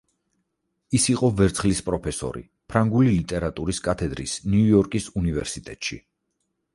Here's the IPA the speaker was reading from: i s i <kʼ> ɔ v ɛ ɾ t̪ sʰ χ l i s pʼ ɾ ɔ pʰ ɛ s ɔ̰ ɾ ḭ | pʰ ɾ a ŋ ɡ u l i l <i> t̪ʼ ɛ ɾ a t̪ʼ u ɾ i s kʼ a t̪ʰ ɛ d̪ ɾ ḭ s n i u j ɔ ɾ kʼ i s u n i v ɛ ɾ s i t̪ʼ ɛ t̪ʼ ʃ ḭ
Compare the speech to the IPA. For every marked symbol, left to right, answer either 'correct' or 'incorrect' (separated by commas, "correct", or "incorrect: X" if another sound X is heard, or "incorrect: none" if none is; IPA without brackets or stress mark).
incorrect: qʼ, correct